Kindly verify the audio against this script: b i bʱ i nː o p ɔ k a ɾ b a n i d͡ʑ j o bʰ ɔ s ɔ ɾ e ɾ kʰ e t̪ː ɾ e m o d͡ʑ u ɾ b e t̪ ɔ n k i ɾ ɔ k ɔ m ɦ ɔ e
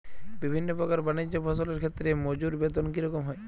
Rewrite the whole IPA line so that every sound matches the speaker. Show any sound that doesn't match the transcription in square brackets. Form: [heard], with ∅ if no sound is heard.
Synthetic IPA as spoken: b i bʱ i nː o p ɔ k a ɾ b a n i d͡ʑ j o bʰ ɔ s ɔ [l] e ɾ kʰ e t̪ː ɾ e m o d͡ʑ u ɾ b e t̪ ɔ n k i ɾ ɔ k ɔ m ɦ ɔ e